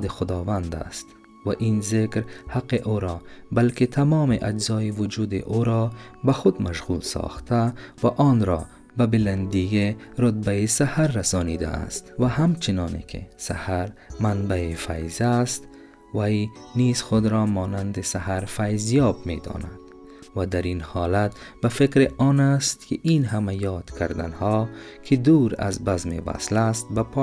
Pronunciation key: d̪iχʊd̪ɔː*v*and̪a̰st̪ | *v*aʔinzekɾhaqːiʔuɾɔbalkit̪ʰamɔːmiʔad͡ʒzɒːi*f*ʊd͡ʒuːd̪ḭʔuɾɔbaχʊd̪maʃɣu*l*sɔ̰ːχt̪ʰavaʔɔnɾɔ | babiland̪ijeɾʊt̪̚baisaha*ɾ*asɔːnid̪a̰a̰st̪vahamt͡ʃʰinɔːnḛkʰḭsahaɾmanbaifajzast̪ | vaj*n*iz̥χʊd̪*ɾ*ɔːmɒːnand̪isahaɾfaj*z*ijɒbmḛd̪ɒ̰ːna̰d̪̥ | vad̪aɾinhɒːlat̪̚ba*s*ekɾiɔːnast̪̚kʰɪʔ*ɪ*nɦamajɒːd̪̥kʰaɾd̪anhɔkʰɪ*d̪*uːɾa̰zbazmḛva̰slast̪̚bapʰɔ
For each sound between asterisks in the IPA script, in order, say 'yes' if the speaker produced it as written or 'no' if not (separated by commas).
yes, yes, no, yes, no, yes, yes, yes, no, no, yes